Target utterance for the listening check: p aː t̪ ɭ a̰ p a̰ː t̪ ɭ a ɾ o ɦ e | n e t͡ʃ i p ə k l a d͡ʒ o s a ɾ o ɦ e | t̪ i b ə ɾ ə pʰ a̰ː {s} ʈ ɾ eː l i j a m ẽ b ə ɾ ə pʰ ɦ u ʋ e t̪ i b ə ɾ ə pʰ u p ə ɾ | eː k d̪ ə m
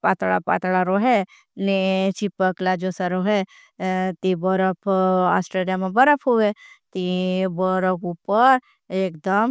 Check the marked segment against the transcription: correct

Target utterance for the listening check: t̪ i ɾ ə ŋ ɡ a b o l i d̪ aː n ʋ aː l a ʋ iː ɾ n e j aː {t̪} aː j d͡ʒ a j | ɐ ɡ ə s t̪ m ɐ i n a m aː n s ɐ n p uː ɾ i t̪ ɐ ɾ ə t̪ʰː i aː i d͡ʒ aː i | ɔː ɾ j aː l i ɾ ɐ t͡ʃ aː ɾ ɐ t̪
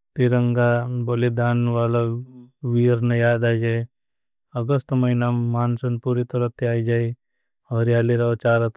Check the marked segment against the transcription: incorrect: d̪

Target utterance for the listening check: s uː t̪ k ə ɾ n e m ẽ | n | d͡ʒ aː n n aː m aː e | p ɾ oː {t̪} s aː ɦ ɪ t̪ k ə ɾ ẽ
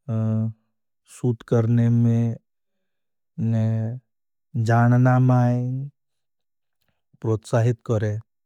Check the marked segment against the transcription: correct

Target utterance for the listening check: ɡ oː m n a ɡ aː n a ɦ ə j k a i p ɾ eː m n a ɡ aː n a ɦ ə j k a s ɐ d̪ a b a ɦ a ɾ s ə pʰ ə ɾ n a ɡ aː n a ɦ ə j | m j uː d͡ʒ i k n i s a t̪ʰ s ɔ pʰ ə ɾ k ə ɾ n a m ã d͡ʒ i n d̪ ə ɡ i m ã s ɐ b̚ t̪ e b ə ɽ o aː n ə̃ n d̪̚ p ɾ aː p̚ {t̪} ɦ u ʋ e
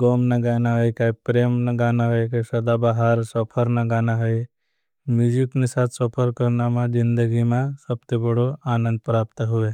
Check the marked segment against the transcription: correct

